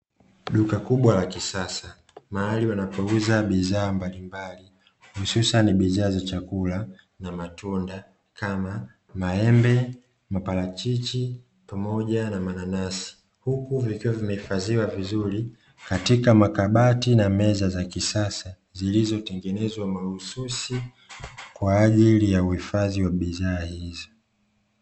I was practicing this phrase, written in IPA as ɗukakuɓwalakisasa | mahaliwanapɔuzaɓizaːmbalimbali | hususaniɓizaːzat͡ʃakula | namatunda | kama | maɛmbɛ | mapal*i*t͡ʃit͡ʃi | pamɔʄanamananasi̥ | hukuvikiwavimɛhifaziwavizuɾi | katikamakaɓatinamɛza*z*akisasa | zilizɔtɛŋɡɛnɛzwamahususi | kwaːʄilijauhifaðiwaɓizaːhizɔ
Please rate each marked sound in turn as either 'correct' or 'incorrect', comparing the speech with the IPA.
incorrect, correct

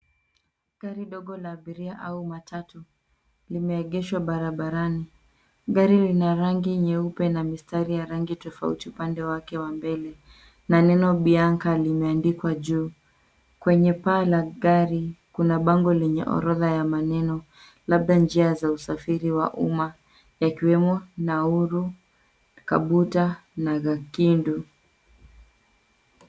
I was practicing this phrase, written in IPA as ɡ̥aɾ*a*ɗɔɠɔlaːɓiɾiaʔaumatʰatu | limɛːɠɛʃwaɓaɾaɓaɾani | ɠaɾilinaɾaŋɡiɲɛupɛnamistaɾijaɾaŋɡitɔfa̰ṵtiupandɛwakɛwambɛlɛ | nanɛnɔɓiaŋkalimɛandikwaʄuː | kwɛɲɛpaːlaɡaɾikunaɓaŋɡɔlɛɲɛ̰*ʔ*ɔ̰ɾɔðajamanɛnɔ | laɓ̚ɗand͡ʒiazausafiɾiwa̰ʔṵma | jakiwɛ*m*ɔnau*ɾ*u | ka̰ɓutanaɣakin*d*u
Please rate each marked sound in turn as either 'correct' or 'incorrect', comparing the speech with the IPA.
incorrect, correct, correct, correct, correct

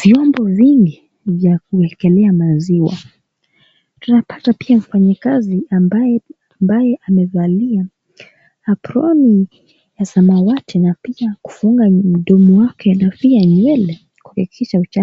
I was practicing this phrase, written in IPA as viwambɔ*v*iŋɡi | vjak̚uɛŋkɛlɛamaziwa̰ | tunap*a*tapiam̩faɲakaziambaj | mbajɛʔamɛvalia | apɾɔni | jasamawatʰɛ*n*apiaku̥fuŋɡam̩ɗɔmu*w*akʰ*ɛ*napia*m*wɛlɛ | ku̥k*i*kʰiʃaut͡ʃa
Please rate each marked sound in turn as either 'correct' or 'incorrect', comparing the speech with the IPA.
correct, correct, correct, correct, correct, incorrect, correct

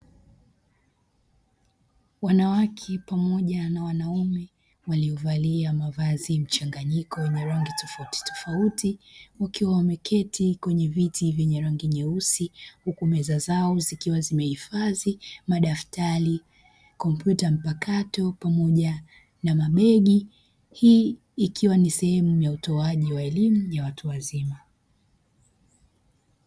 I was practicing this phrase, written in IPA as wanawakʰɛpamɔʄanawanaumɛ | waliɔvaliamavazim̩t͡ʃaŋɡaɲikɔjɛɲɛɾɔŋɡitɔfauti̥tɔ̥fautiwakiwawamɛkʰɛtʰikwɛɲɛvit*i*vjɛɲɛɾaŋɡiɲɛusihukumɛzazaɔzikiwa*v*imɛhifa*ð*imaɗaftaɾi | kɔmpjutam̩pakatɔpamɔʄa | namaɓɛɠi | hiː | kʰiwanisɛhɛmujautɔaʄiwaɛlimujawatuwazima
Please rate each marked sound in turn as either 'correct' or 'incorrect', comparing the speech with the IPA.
correct, incorrect, incorrect

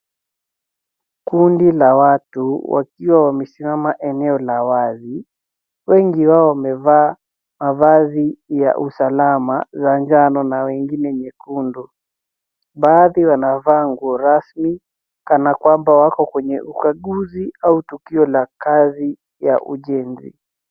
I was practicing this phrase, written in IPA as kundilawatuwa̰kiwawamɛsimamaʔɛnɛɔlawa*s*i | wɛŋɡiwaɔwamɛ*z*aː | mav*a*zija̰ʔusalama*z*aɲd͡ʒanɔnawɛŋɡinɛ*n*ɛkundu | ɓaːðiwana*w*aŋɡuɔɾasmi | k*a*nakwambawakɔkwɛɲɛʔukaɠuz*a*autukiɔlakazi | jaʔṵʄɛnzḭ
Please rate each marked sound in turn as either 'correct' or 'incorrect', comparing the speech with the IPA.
incorrect, incorrect, correct, correct, incorrect, incorrect, correct, incorrect

